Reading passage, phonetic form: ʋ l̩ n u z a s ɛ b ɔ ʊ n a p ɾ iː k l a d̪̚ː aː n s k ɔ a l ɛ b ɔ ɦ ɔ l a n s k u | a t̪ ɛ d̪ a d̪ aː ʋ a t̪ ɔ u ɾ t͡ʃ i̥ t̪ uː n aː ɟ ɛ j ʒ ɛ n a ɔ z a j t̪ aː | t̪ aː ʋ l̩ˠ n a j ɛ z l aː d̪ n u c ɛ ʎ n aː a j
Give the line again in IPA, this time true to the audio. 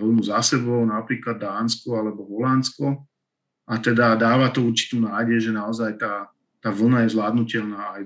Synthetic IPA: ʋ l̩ n u z a s ɛ b ɔ ʊ n a p ɾ iː k l a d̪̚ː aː n s k ɔ a l ɛ b ɔ ɦ ɔ l a n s k ɔ | a t̪ ɛ d̪ a d̪ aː ʋ a t̪ ɔ u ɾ t͡ʃ i̥ t̪ uː n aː ɟ ɛ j ʒ ɛ n a ɔ z a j t̪ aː | t̪ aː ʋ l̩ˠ n a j ɛ z l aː d̪ n u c ɛ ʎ n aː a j